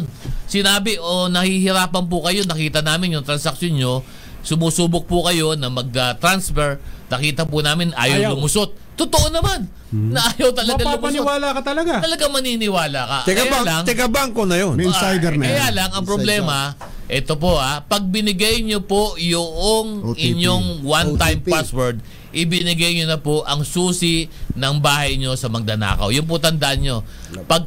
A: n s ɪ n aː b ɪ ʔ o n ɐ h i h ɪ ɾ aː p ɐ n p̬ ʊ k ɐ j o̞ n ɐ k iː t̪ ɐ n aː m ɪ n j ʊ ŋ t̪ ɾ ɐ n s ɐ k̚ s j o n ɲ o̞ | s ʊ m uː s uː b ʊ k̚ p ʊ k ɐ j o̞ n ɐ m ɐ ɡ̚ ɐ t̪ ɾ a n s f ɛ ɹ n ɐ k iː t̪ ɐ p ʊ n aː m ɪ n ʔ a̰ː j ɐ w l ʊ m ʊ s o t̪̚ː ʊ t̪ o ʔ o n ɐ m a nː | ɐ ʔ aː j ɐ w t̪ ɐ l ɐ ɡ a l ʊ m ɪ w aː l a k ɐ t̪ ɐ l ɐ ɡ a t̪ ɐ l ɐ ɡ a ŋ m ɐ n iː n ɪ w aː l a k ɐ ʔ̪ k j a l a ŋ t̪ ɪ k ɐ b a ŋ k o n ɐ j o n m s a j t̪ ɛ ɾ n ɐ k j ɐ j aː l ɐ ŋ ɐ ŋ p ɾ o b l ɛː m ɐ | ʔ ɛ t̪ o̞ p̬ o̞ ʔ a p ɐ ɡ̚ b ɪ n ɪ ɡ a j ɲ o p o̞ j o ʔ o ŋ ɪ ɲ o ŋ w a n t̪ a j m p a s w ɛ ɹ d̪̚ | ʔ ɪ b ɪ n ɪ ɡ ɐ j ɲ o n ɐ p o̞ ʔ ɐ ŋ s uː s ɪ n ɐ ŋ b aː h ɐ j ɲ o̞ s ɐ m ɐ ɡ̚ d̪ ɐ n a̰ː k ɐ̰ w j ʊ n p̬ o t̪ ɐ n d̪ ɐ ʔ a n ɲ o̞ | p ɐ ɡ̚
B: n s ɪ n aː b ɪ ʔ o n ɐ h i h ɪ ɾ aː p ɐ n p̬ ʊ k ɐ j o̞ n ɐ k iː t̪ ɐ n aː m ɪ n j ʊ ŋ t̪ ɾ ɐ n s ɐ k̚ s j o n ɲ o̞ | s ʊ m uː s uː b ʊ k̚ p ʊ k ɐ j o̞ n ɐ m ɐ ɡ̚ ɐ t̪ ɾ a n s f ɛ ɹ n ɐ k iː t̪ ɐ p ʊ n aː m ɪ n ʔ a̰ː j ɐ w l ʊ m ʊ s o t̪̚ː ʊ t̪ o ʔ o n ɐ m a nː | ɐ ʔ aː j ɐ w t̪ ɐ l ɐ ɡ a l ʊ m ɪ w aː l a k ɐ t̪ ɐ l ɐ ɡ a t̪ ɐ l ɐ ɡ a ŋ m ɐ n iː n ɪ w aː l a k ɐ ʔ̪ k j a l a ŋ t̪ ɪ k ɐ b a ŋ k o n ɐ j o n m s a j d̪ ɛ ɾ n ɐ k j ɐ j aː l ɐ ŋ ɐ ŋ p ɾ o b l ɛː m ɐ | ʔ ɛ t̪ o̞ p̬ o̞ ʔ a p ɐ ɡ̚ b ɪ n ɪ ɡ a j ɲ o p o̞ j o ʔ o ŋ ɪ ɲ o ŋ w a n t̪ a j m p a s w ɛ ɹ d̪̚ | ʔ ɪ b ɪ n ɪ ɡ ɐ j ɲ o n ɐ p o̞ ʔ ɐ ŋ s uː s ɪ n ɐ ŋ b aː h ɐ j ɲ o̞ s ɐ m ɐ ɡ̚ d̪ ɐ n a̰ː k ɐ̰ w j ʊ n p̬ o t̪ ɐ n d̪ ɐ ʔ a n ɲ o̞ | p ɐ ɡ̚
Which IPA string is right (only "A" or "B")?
B